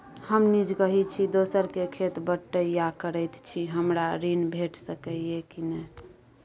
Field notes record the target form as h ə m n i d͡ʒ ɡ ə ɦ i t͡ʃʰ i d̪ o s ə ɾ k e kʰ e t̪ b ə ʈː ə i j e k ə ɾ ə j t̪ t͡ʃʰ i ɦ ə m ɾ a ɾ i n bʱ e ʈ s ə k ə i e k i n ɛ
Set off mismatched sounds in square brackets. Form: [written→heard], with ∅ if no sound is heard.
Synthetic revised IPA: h ə m n i d͡ʒ ɡ ə ɦ i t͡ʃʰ i d̪ o s ə ɾ k e kʰ e t̪ b ə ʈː ə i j [e→a] k ə ɾ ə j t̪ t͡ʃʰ i ɦ ə m ɾ a ɾ i n bʱ e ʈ s ə k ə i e k i n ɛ